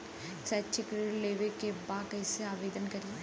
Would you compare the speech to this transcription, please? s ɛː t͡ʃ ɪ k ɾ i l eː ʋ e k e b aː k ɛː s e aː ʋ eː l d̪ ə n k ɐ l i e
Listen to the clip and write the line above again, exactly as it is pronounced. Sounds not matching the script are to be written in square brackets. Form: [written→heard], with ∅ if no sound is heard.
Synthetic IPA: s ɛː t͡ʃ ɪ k ɾ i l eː ʋ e k e b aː k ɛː s e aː ʋ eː [l→∅] d̪ ə n k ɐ [l→ɾ] i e